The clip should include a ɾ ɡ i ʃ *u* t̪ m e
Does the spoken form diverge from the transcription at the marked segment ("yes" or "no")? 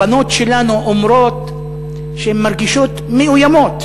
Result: yes